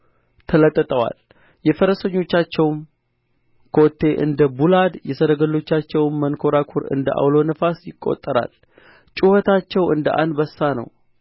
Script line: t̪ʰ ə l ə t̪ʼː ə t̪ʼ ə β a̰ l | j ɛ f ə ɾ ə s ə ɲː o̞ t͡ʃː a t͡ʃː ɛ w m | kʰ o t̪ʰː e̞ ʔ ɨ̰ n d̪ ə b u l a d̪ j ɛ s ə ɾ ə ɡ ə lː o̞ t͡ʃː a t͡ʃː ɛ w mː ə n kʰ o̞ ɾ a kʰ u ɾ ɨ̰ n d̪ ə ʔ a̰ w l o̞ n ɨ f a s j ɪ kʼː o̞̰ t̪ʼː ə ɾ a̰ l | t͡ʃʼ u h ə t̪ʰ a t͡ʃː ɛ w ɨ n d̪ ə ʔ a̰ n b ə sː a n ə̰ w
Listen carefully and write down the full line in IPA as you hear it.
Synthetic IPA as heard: t̪ʰ ə l ə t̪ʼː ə t̪ʼ ə w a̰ l | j ɛ f ə ɾ ə s ə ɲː o̞ t͡ʃː a t͡ʃː ɛ w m | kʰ o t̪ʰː e̞ ʔ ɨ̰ n d̪ ə b u l a d̪ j ɛ s ə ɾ ə ɡ ə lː o̞ t͡ʃː a t͡ʃː ɛ w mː ə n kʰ o̞ ɾ a kʰ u ɾ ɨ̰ n d̪ ə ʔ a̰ w l o̞ n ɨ f a s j ɪ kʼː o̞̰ t̪ʼː ə ɾ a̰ l | t͡ʃʼ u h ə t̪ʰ a t͡ʃː ɛ w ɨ n d̪ ə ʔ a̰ n b ə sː a n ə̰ w